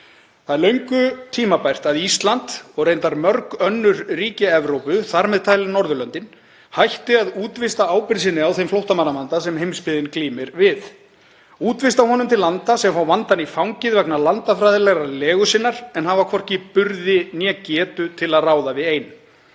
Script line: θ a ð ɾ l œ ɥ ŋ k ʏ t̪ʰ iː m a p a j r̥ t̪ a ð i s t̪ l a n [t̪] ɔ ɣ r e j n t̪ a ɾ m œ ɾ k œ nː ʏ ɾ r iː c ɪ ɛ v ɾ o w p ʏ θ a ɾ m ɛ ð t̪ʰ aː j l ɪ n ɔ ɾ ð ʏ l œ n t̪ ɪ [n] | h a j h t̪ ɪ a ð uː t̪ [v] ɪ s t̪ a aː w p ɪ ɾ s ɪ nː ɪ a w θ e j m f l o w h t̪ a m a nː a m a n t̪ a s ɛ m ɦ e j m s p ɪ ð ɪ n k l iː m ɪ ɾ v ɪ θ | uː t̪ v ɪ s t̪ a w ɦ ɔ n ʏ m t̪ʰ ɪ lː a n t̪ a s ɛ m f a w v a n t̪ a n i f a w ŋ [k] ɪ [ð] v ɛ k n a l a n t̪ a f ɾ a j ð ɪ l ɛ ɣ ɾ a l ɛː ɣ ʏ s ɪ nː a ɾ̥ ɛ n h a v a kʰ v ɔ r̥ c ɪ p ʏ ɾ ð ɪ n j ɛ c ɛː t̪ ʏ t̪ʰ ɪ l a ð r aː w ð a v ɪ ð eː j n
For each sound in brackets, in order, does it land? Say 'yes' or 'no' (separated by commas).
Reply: yes, yes, yes, no, yes